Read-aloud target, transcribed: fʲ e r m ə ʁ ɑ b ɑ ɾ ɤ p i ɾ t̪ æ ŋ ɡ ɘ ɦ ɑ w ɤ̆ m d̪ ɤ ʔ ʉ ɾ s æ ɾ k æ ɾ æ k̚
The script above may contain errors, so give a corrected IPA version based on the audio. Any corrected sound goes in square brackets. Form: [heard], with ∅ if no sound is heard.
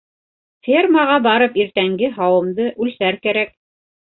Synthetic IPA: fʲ e r m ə ʁ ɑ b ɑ ɾ ɤ p i ɾ t̪ æ ŋ ɡ ɘ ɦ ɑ w ɤ̆ m d̪ ɤ ʔ ʉ [l] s æ ɾ k æ ɾ æ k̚

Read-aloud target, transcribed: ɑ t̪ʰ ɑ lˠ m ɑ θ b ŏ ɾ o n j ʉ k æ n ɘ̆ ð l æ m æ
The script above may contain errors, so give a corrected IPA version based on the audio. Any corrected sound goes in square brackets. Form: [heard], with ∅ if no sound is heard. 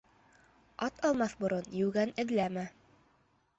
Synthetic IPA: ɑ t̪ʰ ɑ lˠ m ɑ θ b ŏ ɾ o n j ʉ [ɡ] æ n ɘ̆ ð l æ m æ

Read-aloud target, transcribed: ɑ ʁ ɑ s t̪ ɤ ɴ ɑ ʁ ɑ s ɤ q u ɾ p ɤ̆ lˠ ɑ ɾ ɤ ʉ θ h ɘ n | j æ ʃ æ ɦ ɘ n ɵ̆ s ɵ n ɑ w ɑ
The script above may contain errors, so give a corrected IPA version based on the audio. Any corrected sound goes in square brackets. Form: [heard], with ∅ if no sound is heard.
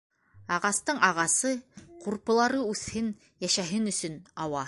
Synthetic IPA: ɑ ʁ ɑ s t̪ ɤ ɴ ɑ ʁ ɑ s ɤ q u ɾ p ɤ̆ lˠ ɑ ɾ ɤ ʉ θ h ɘ n | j æ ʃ æ ɦ ɘ n ɵ̆ s ɵ n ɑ w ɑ

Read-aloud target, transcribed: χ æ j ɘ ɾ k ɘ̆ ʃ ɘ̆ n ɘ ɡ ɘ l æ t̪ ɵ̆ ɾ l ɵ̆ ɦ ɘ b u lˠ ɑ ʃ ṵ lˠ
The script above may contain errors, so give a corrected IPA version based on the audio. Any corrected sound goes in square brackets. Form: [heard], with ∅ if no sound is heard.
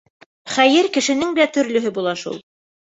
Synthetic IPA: χ æ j ɘ ɾ k ɘ̆ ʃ ɘ̆ n ɘ [ŋ] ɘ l æ t̪ ɵ̆ ɾ l ɵ̆ ɦ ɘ b u lˠ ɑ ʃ ṵ lˠ

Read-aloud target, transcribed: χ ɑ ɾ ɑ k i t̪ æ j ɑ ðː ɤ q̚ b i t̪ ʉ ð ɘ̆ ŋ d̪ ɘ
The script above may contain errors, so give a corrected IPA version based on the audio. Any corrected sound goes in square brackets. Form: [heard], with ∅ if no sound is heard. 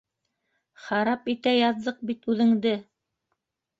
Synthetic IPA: χ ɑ ɾ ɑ [p] i t̪ æ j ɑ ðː ɤ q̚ b i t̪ ʉ ð ɘ̆ ŋ d̪ ɘ

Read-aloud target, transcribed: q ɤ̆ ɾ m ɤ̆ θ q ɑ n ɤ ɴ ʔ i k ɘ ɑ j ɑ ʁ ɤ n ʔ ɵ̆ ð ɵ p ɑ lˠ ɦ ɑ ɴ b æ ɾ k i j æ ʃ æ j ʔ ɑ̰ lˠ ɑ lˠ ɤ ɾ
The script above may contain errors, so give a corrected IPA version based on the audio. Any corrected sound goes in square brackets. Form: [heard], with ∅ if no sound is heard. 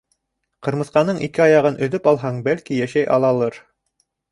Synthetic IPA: q ɤ̆ ɾ m ɤ̆ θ q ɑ n ɤ ɴ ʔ i k ɘ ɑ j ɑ ʁ ɤ n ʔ ɵ̆ ð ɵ p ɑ lˠ ɦ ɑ ɴ b æ [l] k i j æ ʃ æ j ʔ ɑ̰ lˠ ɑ lˠ ɤ ɾ

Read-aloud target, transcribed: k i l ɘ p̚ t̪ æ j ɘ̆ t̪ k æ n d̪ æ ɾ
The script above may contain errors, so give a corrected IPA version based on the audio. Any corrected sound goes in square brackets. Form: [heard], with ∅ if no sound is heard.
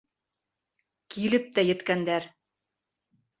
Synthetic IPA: k i l ɘ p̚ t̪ æ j ɘ̆ t̪ k æ n d̪ æ ɾ

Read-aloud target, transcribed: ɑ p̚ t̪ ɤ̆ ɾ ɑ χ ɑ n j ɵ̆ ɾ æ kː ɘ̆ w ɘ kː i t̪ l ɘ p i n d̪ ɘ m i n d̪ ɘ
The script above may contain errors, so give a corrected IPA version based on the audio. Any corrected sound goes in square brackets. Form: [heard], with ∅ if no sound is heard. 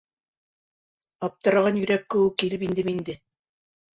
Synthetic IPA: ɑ p̚ t̪ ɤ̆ ɾ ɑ [ʁ] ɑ n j ɵ̆ ɾ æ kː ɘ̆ w ɘ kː i [∅] l ɘ p i n d̪ ɘ m i n d̪ ɘ

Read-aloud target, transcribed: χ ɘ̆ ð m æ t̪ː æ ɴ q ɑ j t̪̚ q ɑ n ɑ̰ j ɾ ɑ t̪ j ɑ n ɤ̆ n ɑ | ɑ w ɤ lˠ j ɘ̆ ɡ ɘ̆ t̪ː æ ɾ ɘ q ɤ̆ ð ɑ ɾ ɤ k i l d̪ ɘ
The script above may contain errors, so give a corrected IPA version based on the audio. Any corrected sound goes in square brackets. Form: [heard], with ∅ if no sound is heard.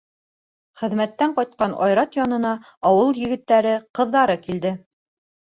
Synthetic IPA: χ ɘ̆ ð m æ t̪ː æ ɴ q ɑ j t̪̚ q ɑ n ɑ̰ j ɾ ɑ t̪ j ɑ n ɤ̆ n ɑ | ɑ w ɤ lˠ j ɘ̆ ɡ ɘ̆ t̪ː æ ɾ ɘ q ɤ̆ [ðː] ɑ ɾ ɤ k i l d̪ ɘ

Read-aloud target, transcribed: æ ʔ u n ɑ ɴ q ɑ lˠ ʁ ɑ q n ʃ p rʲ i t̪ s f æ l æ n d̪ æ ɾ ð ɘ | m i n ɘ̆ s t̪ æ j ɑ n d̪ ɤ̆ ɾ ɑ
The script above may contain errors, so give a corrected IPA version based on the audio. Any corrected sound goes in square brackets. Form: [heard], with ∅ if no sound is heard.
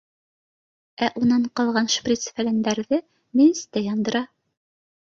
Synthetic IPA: æ ʔ u n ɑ ɴ q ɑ lˠ ʁ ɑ [∅] n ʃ p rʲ i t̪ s f æ l æ n d̪ æ ɾ ð ɘ | m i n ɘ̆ s t̪ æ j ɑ n d̪ ɤ̆ ɾ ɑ

